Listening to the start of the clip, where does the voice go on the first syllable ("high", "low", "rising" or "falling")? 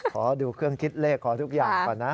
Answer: rising